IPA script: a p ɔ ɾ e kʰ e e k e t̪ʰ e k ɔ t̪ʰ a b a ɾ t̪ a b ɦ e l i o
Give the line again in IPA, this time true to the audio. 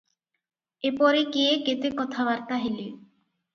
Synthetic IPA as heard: e p ɔ ɾ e k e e k e t̪ e k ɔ t̪ʰ a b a ɾ t̪ a ɦ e l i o